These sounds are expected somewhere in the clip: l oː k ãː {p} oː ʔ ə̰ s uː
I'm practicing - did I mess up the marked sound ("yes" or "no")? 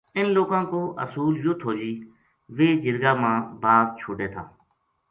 yes